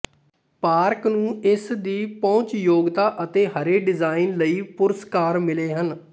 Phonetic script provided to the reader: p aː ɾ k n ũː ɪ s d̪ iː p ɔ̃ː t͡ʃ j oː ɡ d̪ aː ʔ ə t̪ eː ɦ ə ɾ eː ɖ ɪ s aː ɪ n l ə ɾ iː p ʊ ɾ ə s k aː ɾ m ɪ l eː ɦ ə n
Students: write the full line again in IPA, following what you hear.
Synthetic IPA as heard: p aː ɾ k n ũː ɪ s d̪ iː p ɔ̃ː t͡ʃ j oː ɡ t̪ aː ʔ ə t̪ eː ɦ ə ɾ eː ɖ ɪ z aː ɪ n l ə iː p ʊ ɾ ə s k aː ɾ m ɪ l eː ɦ ə n